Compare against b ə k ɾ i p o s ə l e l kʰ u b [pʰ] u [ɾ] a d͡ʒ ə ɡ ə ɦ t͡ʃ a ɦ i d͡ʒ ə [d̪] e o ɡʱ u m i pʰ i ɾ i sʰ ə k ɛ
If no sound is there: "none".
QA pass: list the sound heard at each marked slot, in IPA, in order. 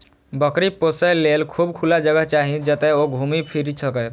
kʰ, l, t̪

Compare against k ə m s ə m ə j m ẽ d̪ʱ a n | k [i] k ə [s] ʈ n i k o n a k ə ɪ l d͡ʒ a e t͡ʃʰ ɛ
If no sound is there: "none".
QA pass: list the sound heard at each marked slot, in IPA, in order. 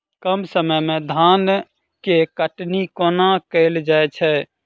e, none

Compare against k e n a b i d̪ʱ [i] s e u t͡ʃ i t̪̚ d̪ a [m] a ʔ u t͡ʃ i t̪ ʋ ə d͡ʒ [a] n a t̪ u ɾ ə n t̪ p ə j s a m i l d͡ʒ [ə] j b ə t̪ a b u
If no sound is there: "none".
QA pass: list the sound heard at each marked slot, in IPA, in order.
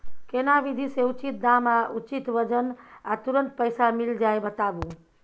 i, m, ə, a

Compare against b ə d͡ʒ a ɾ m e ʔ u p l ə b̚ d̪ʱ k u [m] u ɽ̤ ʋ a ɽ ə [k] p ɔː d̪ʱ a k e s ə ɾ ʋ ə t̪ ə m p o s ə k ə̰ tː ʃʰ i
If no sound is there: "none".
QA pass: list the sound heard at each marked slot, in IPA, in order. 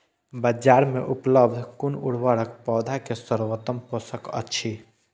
n, k

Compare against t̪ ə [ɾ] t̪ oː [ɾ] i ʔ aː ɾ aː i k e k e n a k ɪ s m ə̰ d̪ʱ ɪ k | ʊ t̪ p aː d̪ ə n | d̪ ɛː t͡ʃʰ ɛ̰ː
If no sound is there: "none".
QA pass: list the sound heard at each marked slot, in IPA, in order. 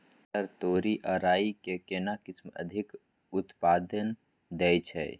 ɾ, ɾ

